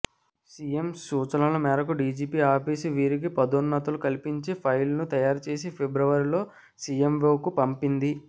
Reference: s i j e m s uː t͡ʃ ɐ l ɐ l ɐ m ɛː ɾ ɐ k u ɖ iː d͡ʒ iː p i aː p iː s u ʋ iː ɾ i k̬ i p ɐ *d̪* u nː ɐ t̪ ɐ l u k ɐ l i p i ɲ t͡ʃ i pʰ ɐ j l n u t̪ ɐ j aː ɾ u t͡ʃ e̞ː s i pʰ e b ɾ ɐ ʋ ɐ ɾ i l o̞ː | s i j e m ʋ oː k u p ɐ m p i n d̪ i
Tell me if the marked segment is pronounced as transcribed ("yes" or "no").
yes